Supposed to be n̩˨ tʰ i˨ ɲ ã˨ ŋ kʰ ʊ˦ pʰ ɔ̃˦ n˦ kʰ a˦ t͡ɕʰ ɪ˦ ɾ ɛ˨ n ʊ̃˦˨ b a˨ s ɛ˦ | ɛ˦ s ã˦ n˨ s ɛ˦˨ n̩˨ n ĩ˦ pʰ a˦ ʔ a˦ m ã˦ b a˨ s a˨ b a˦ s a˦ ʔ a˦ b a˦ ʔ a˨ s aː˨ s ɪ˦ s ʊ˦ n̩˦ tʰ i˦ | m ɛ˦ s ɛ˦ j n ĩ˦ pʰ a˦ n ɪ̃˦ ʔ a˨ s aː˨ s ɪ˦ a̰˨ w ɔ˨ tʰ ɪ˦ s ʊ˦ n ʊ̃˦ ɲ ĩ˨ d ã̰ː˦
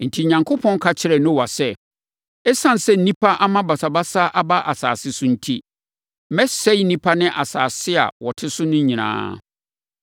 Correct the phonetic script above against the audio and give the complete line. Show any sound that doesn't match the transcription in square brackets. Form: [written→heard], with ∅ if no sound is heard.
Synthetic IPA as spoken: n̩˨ tʰ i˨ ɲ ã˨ ŋ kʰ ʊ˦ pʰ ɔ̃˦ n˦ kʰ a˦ t͡ɕʰ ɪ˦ ɾ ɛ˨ n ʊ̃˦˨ [b→w] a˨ s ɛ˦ | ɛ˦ s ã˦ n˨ s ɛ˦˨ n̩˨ n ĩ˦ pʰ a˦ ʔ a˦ m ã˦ b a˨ s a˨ b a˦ s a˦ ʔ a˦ b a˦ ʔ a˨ s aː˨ s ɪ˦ s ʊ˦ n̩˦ tʰ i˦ | m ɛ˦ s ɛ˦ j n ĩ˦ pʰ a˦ n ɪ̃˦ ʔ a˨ s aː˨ s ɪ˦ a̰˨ w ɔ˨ tʰ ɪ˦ s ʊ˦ n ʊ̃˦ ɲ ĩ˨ [d→n] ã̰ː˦